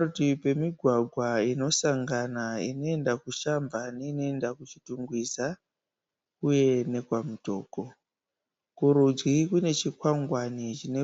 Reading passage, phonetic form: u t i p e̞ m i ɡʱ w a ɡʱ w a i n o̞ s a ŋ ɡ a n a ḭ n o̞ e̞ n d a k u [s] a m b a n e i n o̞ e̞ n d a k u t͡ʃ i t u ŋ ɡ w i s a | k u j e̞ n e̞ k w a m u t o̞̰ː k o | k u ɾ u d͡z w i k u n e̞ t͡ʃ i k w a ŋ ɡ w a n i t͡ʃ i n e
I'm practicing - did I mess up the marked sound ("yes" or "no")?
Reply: yes